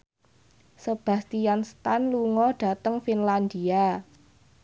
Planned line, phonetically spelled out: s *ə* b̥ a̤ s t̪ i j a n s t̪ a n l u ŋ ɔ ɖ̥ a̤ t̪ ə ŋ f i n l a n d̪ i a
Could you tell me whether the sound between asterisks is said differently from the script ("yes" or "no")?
no